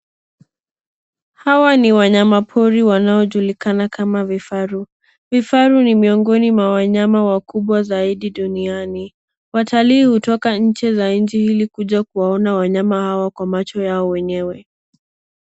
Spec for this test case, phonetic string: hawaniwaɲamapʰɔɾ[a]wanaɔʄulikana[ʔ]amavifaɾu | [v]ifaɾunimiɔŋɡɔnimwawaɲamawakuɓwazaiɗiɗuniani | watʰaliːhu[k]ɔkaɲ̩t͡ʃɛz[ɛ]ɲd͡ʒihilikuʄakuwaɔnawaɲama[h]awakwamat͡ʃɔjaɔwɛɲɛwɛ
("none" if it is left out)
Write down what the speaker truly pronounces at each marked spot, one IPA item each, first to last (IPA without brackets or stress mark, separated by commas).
i, k, v, t, a, h